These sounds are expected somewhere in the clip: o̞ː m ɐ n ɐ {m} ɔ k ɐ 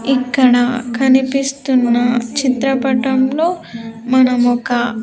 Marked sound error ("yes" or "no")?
no